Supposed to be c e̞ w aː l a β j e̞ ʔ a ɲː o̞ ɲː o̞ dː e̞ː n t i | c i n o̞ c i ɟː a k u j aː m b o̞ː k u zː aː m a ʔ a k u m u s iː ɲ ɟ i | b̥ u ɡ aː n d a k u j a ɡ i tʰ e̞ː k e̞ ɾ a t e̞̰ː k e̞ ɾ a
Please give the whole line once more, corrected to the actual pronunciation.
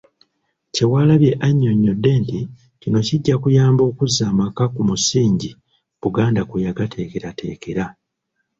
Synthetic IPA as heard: c e̞ w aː l a β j e̞ ʔ a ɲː o̞ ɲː o̞ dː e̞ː n t i | c i n o̞ c i ɟː a k u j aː m b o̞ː k u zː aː m a k a k u m u s iː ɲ ɟ i | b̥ u ɡ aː n d a k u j a ɡ a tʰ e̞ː k e̞ ɾ a t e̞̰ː k e̞ ɾ a